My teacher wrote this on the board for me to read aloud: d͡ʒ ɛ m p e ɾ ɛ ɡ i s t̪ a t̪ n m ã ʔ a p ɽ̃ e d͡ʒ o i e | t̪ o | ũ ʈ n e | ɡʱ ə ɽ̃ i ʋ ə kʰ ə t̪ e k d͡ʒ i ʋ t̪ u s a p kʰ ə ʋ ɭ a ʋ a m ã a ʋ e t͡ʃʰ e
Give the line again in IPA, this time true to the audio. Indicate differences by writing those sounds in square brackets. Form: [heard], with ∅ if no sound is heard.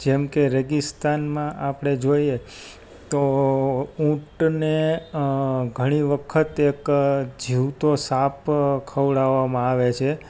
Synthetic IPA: d͡ʒ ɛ m [k] e ɾ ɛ ɡ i s t̪ a [∅] n m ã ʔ a p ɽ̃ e d͡ʒ o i e | t̪ o | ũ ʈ n e | ɡʱ ə ɽ̃ i ʋ ə kʰ ə t̪ e k d͡ʒ i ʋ t̪ [o] s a p kʰ ə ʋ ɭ a ʋ a m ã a ʋ e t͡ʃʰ e

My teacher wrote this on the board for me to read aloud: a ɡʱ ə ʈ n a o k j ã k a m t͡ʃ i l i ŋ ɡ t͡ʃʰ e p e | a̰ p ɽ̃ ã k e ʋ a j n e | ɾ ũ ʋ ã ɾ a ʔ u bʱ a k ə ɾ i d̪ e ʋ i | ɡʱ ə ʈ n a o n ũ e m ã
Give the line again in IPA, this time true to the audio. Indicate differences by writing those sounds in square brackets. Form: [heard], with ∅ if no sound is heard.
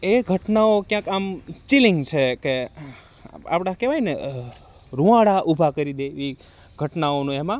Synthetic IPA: [e] ɡʱ ə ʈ n a o k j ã k a m t͡ʃ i l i ŋ ɡ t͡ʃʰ e [k] e | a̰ p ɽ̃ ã k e ʋ a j n e | ɾ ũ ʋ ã [ɽ] a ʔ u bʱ a k ə ɾ i d̪ e ʋ i | ɡʱ ə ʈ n a o n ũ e m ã

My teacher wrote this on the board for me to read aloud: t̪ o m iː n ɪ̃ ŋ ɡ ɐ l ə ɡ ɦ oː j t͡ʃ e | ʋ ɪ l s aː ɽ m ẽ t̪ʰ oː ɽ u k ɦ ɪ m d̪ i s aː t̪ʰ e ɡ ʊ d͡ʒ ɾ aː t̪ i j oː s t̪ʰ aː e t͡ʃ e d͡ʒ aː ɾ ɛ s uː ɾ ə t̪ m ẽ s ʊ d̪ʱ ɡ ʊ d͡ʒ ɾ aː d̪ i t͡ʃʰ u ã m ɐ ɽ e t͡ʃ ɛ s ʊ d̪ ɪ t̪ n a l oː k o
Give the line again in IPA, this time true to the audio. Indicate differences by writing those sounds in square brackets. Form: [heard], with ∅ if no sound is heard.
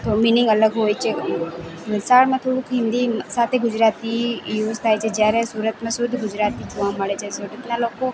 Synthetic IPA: t̪ o m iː n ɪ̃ ŋ ɡ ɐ l ə ɡ ɦ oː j t͡ʃ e | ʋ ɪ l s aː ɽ m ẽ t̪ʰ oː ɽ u k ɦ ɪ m d̪ i s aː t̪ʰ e ɡ ʊ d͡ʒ ɾ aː t̪ i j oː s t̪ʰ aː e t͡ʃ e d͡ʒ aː ɾ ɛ s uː ɾ ə t̪ m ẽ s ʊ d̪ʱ ɡ ʊ d͡ʒ ɾ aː [t̪] i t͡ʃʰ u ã m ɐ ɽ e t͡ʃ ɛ s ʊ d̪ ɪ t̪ n a l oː k o

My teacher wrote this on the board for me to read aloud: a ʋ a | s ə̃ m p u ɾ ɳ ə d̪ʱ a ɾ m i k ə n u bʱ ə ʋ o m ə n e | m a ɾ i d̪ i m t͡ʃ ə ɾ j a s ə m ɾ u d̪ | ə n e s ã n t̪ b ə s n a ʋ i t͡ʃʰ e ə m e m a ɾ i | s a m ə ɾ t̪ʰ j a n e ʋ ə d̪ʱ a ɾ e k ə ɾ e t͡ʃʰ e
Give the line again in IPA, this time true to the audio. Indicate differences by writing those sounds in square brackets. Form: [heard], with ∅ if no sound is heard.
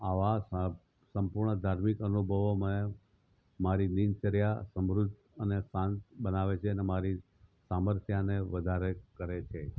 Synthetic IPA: a ʋ a | s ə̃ m p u ɾ ɳ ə d̪ʱ a ɾ m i k ə n u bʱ ə ʋ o m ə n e | m a ɾ i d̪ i [n] t͡ʃ ə ɾ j a s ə m ɾ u d̪ | ə n e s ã n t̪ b ə [∅] n a ʋ [e] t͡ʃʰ e ə [n] e m a ɾ i | s a m ə ɾ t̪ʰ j a n e ʋ ə d̪ʱ a ɾ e k ə ɾ e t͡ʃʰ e

